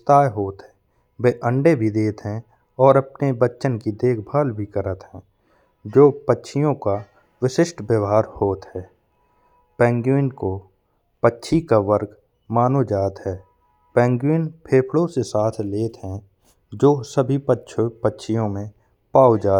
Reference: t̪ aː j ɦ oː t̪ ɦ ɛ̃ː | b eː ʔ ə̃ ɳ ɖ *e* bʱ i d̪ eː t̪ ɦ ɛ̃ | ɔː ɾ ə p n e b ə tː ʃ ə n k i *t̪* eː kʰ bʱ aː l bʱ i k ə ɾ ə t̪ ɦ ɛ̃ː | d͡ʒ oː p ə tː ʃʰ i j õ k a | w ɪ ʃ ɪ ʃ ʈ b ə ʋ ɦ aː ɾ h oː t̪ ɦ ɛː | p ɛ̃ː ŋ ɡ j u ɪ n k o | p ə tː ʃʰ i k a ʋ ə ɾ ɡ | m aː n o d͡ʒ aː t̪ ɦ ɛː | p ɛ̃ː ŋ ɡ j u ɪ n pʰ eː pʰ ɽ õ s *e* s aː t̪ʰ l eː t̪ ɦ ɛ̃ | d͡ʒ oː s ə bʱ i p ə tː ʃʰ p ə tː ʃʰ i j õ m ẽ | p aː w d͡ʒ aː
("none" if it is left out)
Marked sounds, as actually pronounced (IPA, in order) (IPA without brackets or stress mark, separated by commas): e, d̪, e